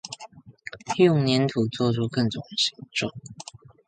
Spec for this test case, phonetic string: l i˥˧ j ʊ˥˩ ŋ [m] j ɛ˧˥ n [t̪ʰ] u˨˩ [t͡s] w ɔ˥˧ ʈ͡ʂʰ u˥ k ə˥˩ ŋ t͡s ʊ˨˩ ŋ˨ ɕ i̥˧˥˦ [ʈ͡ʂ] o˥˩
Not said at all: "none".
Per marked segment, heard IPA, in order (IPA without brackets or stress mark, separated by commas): n, t̪ʰ, t͡s, ʈ͡ʂ